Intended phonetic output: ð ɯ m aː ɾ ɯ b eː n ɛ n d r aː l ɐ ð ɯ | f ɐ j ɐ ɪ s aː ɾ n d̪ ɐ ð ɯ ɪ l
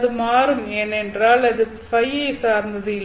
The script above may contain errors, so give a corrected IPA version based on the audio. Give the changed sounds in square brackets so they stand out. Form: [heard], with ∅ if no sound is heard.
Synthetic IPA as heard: ð ɯ m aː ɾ ɯ [m] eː n ɛ n d r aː l ɐ ð ɯ | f ɐ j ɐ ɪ s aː ɾ n d̪ ɐ ð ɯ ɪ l